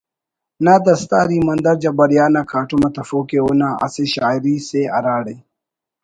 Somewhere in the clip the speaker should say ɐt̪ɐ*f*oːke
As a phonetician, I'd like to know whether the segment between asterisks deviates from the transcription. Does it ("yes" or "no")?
no